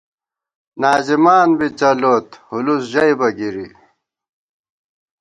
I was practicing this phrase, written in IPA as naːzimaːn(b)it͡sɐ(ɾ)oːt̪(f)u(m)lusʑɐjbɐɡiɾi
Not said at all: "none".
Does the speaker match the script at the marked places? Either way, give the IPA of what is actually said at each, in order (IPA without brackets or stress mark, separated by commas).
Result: b, l, h, none